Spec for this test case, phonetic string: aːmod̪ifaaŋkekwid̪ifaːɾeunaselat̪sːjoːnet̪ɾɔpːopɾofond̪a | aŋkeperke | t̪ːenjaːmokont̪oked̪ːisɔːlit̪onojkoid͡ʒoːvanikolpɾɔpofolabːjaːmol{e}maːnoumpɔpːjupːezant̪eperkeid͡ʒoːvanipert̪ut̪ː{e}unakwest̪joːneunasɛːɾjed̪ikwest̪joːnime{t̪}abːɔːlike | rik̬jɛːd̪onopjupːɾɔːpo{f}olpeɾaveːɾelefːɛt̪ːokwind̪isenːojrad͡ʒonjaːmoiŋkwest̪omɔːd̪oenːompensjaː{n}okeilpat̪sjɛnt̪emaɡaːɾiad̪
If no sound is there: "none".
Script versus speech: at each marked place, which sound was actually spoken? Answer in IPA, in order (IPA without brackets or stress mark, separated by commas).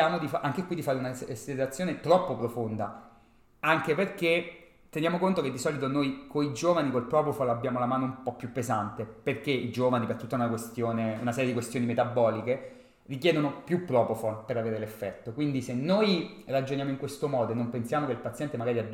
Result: a, a, t̪, f, m